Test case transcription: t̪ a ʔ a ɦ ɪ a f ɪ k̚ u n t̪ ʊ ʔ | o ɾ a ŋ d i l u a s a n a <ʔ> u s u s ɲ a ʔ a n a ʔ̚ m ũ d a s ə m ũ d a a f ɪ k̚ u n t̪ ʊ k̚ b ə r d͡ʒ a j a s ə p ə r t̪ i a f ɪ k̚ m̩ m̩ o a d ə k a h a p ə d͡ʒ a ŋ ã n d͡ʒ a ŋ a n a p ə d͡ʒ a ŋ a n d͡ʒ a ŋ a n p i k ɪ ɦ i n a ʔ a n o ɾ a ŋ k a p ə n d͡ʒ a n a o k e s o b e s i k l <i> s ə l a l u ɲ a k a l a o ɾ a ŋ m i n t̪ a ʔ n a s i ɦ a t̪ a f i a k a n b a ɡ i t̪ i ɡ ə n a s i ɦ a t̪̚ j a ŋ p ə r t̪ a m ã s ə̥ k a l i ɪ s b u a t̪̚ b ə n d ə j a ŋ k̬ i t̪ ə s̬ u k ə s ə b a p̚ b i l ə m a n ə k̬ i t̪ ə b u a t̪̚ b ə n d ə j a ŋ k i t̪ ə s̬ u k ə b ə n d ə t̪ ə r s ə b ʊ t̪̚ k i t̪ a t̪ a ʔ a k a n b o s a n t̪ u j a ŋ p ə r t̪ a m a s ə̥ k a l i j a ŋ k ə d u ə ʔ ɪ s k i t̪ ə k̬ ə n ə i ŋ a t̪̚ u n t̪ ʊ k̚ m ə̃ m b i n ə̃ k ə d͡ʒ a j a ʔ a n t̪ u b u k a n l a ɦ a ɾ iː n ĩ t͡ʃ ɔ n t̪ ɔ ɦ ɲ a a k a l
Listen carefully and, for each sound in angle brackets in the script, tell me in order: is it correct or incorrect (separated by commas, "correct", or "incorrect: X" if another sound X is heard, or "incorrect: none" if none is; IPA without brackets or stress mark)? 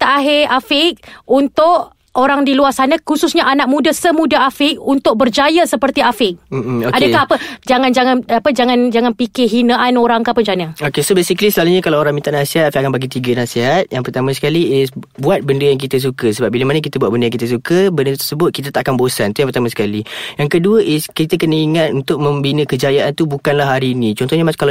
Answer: incorrect: k, correct